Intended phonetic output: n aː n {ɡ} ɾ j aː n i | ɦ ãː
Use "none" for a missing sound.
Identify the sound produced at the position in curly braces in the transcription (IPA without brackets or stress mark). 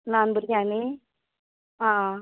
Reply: b